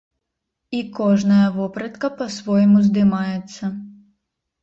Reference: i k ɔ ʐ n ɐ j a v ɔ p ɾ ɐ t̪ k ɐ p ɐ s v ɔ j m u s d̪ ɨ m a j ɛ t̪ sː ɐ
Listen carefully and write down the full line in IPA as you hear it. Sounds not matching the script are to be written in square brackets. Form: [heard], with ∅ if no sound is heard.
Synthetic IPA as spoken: i k ɔ ʐ n ɐ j [ɐ] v ɔ p ɾ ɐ t̪ k ɐ p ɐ s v ɔ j m u [z] d̪ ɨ m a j ɛ t̪ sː ɐ